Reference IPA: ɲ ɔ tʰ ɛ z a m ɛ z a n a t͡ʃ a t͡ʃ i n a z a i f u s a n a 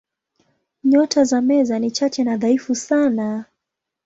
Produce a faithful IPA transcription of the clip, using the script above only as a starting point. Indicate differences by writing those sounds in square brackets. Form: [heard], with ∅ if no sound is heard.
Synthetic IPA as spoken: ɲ ɔ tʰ [a] z a m ɛ z a n [i] t͡ʃ a t͡ʃ [ɛ] n a [ð] a i f u s a n a